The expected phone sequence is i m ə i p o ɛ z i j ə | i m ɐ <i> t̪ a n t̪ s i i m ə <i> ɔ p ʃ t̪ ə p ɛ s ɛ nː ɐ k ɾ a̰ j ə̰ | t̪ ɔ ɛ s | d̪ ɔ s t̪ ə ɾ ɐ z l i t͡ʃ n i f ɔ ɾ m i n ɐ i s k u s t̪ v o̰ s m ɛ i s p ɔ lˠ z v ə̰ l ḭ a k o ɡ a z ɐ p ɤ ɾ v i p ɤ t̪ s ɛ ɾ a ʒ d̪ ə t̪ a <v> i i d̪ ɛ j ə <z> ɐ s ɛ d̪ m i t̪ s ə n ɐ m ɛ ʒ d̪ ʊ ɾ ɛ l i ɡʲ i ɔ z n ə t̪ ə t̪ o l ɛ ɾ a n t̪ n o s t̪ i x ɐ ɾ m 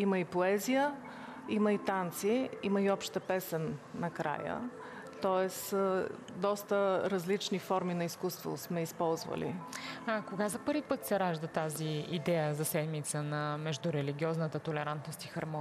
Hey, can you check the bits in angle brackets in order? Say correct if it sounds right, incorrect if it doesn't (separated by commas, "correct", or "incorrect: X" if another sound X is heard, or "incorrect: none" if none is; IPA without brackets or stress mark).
correct, correct, incorrect: z, correct